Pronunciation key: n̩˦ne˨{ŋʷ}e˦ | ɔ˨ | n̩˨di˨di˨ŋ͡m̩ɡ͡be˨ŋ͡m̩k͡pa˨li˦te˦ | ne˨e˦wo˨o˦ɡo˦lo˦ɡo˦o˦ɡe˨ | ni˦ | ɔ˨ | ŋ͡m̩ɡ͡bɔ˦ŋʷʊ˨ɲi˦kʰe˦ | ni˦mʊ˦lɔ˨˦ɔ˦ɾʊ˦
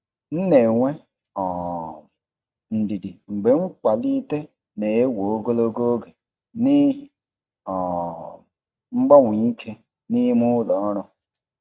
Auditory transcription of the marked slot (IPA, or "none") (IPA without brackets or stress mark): ŋʷ